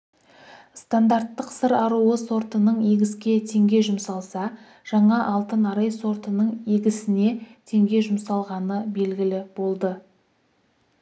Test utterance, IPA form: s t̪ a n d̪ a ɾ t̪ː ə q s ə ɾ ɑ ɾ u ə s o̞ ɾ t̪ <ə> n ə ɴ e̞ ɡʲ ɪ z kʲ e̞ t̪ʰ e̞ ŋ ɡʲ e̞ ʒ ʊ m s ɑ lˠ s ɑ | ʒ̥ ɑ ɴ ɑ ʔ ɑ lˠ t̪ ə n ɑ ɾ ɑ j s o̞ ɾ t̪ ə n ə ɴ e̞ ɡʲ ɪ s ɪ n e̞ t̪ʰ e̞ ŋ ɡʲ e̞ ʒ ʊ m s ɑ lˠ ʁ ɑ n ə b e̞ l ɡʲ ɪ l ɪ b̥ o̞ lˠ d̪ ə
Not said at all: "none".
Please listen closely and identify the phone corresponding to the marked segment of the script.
ə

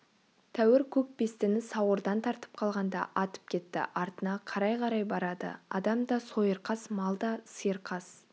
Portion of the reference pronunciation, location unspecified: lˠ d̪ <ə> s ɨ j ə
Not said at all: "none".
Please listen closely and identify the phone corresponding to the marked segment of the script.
ɑ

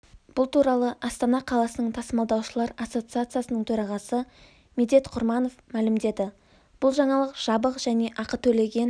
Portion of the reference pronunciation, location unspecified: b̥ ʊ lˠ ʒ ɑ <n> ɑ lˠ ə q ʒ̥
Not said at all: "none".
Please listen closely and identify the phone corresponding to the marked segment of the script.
ɴ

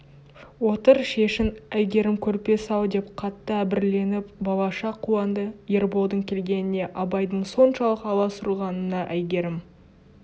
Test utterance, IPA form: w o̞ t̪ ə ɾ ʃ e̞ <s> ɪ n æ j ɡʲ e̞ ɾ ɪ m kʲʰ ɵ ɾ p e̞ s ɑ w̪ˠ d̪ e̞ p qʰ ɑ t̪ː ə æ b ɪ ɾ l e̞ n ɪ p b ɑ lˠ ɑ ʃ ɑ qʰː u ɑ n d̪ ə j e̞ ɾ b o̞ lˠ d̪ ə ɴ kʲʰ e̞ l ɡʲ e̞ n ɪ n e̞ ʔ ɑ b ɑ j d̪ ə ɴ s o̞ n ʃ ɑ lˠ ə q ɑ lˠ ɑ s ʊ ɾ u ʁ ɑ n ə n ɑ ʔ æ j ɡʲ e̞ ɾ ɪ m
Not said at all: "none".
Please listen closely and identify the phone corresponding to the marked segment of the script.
ʃ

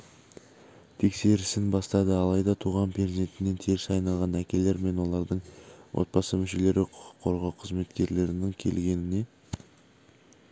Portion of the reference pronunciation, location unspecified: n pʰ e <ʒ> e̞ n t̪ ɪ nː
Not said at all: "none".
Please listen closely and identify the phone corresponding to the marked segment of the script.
z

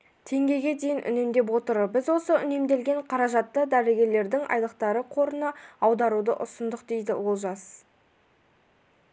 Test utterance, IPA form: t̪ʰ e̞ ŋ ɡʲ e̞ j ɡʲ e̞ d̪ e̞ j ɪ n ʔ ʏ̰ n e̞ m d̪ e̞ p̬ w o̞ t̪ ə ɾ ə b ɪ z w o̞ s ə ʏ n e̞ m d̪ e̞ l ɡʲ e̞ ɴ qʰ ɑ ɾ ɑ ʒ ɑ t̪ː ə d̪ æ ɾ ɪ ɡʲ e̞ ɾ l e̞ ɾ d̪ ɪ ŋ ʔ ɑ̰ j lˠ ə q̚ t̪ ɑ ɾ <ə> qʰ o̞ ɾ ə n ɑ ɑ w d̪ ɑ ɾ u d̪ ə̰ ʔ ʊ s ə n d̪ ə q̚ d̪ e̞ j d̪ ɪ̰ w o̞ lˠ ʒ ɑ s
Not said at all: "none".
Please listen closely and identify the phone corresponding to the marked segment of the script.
ə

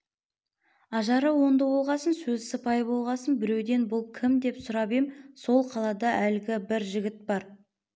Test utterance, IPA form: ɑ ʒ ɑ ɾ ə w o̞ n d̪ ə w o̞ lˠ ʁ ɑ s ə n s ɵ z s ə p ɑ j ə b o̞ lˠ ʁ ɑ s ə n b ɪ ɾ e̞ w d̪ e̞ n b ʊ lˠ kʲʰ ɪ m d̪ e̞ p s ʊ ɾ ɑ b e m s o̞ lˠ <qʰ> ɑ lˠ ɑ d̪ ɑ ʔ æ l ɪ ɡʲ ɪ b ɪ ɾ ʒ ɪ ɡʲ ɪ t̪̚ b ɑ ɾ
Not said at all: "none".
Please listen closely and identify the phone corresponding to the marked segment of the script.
qʰ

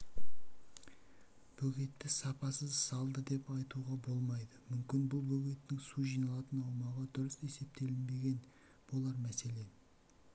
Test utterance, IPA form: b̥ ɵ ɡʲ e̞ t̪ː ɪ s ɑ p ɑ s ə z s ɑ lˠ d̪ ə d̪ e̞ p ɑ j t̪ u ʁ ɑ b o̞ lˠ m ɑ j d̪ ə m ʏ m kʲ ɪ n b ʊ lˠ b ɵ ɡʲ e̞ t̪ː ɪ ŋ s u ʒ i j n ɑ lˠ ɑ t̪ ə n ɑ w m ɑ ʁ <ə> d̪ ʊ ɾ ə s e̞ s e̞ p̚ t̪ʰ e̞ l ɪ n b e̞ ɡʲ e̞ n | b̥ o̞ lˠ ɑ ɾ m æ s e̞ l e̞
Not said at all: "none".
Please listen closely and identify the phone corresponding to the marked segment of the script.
ɑ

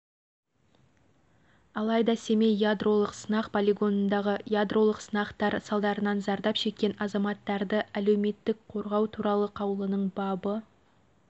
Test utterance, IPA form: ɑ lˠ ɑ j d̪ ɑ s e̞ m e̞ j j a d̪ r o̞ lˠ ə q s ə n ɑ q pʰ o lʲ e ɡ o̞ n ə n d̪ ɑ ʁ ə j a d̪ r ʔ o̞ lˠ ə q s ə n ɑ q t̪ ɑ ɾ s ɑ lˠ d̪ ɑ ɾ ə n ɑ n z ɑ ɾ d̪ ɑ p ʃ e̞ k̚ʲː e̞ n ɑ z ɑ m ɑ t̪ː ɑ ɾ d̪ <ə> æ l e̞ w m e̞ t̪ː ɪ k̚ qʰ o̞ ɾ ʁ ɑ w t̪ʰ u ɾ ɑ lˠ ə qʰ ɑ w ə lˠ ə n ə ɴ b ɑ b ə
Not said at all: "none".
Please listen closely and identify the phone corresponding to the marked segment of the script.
ə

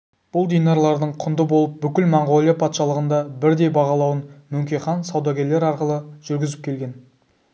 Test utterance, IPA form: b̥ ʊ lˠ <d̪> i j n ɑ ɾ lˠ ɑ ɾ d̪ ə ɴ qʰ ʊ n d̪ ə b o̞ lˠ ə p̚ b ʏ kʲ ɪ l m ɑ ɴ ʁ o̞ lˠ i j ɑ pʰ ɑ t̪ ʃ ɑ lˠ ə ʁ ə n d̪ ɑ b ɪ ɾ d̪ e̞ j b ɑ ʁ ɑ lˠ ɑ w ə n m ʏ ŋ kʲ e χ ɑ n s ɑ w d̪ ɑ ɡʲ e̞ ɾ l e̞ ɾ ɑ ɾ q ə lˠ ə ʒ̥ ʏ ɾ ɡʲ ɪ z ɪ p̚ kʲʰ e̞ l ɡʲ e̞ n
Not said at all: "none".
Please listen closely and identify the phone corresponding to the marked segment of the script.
d̪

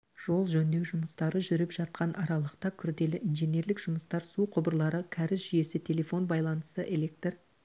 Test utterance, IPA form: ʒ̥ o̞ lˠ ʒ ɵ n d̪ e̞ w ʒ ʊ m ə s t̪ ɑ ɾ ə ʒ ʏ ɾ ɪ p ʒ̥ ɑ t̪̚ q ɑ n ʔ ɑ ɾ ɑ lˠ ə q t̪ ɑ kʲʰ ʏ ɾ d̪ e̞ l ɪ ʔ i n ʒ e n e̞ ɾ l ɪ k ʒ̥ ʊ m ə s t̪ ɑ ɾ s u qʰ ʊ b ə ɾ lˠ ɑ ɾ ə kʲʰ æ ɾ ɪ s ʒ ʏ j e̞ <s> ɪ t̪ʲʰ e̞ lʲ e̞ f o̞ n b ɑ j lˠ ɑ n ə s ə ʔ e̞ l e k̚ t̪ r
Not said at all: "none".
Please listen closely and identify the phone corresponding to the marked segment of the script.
s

